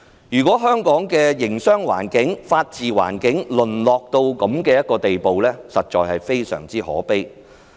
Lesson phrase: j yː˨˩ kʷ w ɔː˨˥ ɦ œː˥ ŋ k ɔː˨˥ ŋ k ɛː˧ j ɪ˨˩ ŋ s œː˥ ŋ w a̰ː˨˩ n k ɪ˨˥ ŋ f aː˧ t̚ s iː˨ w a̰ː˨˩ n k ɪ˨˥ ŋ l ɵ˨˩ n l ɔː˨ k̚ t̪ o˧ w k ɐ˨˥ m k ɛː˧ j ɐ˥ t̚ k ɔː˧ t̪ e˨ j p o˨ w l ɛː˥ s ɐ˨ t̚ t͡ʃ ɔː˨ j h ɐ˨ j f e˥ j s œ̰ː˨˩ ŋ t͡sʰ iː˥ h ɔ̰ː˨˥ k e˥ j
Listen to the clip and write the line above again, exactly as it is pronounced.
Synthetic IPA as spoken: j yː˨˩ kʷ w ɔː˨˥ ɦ œː˥ ŋ k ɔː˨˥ ŋ k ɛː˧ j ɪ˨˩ ŋ s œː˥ ŋ w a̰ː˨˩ n k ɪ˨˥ ŋ f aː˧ t̚ t͡s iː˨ w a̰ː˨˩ n k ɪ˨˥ ŋ l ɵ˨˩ n l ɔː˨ k̚ t̪ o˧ w k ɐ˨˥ m k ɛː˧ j ɐ˥ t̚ k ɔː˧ t̪ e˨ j p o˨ w l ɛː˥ s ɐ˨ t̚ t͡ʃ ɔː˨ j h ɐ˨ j f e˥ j s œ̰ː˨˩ ŋ t͡s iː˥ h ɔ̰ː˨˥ p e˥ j